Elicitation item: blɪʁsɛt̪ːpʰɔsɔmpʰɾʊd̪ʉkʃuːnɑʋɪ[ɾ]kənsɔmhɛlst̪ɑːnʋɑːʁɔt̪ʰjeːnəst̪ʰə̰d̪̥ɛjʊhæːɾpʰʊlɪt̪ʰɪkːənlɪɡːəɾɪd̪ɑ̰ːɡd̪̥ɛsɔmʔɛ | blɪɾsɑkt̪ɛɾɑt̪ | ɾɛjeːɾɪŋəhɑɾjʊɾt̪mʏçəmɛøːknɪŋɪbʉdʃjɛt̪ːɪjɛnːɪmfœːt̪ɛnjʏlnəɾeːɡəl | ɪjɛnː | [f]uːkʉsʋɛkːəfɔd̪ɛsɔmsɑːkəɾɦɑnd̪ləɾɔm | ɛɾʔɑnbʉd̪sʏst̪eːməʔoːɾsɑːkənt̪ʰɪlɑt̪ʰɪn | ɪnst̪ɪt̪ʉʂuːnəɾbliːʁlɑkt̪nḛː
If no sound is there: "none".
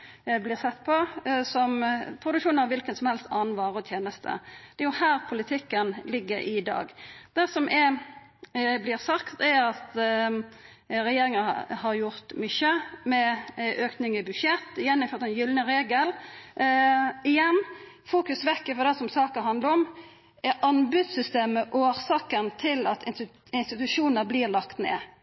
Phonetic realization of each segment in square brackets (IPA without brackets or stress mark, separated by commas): l, f